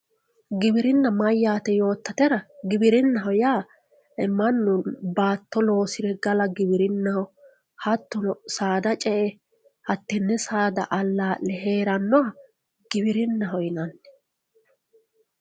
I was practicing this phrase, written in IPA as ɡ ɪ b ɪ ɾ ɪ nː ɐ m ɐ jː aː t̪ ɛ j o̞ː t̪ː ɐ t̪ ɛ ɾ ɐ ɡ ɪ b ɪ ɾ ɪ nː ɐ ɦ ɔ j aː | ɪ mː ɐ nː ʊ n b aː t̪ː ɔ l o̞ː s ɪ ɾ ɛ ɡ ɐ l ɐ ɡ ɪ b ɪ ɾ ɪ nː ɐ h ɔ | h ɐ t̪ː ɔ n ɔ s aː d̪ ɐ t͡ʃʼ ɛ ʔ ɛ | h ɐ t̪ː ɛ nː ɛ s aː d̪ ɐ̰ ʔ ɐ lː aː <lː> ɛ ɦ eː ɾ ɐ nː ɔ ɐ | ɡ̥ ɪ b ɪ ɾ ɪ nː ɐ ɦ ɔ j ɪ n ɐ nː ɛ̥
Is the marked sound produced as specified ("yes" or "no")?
no